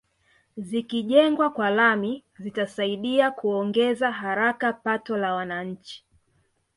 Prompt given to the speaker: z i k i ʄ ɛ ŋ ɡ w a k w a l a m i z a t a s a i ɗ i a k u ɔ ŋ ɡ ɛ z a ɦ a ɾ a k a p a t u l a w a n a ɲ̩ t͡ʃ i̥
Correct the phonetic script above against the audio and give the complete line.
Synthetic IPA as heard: z i k i ʄ ɛ ŋ ɡ w a k w a l a m i z i t a s a i ɗ i a k u ɔ ŋ ɡ ɛ z a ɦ a ɾ a k a p a t ɔ l a w a n a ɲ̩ t͡ʃ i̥

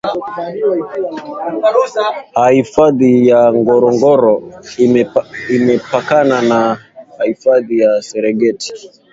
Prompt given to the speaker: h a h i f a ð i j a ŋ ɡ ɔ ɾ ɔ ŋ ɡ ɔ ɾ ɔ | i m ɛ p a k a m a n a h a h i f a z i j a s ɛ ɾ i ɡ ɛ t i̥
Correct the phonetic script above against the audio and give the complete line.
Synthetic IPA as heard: h a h i f a ð i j a ŋ ɡ ɔ ɾ ɔ ŋ ɡ ɔ ɾ ɔ | i m ɛ p a k a n a n a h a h i f a ð i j a s ɛ ɾ ɛ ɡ ɛ t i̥

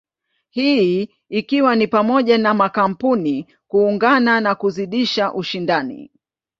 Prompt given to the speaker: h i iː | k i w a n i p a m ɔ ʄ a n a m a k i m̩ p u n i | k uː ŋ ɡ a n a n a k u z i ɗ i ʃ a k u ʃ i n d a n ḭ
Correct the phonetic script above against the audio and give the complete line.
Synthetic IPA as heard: h i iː | k i w a n i p a m ɔ ʄ a n a m a k a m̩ p u n i | k uː ŋ ɡ a n a n a k u z i ɗ i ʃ a ʔ u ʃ i n d a n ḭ

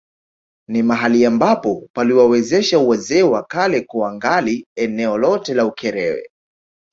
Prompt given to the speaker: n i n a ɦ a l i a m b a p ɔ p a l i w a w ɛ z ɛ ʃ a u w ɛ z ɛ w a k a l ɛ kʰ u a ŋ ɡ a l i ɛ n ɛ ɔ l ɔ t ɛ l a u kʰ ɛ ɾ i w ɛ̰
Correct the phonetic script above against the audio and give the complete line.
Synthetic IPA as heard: n i m a ɦ a l i a m b a p ɔ p a l i w a w ɛ z ɛ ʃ a u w ɛ z ɛ w a k a l ɛ k u a ŋ ɡ a l i ɛ n ɛ ɔ l ɔ t ɛ l a u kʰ ɛ ɾ ɛ w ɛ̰

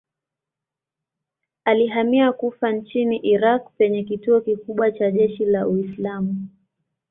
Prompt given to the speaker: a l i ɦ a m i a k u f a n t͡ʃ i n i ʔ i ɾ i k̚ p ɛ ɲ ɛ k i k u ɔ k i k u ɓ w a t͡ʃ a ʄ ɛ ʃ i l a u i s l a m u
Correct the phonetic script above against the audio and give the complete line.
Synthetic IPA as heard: a l i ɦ a m i a k u f a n t͡ʃ i n i ʔ i ɾ a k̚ p ɛ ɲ ɛ k i t u ɔ k i k u ɓ w a t͡ʃ a ʄ ɛ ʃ i l a u i s l a m u

